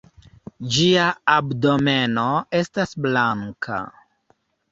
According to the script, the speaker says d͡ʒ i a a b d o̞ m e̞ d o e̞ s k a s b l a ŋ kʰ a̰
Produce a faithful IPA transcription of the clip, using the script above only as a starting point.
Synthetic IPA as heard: d͡ʒ i a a b d o̞ m e̞ n o e̞ s t a s b l a ŋ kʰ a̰